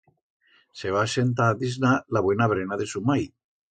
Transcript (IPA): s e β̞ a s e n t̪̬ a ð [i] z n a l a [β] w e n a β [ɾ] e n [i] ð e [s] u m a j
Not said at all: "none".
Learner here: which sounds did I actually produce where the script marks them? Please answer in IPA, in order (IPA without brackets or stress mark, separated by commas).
i, β, ɾ, a, s